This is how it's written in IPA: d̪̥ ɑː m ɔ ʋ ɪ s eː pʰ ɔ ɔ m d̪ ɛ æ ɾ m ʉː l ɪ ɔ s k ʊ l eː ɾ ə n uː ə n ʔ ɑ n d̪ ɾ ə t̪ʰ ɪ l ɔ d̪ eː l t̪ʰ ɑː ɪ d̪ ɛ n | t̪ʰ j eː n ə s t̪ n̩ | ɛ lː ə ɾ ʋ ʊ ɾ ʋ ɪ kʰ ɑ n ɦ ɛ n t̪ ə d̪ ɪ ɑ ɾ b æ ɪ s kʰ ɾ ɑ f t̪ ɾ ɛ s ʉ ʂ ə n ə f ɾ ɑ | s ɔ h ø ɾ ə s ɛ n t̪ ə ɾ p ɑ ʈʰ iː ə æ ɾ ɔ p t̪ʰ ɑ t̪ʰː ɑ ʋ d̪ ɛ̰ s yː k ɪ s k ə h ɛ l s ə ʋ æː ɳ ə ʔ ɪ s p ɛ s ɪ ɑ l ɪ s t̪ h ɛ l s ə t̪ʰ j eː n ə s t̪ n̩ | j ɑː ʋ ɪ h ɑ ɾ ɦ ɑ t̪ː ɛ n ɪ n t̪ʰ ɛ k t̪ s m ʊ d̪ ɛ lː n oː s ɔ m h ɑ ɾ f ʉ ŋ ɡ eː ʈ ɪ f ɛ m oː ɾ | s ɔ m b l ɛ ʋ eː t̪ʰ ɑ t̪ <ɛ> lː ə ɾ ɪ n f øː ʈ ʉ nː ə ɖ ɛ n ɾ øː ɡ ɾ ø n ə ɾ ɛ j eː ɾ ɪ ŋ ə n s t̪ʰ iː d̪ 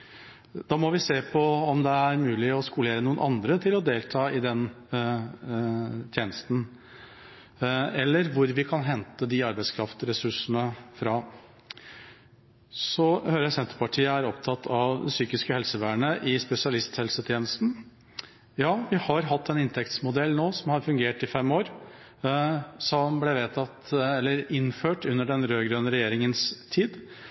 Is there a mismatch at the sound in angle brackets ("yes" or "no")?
no